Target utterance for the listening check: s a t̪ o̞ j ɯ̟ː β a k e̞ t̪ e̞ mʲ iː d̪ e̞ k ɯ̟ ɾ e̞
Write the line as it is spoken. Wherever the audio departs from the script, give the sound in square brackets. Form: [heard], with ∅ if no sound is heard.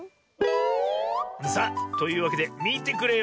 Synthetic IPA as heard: s a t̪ o̞ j ɯ̟ː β a k e̞ [d̪] e̞ mʲ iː [t̪] e̞ k ɯ̟ ɾ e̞